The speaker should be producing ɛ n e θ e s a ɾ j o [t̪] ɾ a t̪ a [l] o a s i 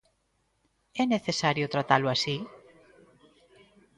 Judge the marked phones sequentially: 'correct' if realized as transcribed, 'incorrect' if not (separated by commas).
correct, correct